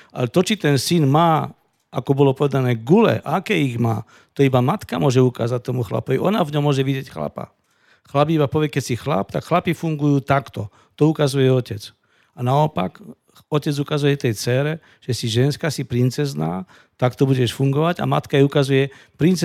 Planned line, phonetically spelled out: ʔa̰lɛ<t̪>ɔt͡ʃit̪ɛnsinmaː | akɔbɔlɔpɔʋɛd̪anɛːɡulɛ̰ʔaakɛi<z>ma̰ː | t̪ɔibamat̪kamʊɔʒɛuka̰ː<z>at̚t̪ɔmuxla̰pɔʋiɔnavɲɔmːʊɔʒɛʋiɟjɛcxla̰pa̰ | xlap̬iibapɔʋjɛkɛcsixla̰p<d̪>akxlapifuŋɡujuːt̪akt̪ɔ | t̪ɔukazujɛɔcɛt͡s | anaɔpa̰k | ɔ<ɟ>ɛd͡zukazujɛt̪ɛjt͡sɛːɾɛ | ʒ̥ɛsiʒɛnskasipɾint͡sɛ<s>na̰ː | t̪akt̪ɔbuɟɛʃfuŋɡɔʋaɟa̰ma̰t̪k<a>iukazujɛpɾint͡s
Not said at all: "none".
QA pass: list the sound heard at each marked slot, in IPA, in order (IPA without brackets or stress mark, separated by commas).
t̪, ɣ, z, t̪, c, z, a